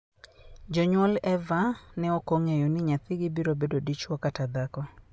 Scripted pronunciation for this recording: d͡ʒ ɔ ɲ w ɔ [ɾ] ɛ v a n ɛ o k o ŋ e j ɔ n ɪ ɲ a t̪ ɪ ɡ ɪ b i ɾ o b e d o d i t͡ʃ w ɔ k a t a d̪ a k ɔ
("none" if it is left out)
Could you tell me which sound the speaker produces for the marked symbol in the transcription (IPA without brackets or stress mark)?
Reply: l